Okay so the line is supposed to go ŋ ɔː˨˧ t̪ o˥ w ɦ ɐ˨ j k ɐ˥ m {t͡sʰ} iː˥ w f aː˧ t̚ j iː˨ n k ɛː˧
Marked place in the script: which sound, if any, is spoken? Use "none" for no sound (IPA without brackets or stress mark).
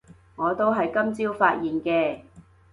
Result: t͡s